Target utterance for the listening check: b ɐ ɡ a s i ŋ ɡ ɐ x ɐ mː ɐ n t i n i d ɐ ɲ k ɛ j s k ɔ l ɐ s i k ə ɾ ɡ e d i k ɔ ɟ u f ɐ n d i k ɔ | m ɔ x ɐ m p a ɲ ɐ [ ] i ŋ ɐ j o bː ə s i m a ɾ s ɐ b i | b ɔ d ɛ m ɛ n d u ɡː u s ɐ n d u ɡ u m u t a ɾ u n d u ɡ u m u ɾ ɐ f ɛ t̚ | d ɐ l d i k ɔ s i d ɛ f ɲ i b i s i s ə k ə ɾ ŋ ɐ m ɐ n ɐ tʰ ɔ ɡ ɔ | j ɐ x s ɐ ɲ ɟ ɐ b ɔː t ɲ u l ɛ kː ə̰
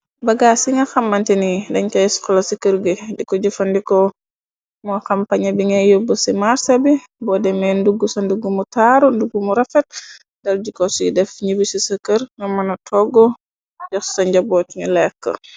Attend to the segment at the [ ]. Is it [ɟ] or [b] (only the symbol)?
b